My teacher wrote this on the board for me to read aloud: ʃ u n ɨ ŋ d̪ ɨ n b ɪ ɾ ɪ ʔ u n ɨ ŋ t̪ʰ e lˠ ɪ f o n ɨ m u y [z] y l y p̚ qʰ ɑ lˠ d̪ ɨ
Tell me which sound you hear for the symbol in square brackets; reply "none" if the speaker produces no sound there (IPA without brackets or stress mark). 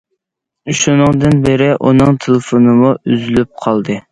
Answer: z